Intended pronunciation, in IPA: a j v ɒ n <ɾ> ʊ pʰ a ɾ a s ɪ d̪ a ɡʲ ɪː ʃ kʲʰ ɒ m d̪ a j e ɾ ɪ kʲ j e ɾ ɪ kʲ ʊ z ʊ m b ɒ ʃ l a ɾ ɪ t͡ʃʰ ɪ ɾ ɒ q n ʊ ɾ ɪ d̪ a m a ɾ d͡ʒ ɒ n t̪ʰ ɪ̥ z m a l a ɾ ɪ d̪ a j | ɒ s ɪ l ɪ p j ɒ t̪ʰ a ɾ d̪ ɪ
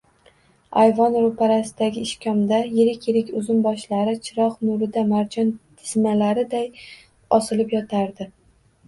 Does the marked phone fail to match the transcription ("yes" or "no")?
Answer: no